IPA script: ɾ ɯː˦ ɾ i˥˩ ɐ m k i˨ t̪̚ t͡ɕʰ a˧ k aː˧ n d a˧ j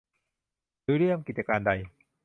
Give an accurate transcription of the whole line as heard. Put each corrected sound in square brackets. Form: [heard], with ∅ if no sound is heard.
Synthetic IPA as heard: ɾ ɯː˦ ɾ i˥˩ [ə] m k i˨ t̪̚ [t͡ɕ] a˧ k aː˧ n d a˧ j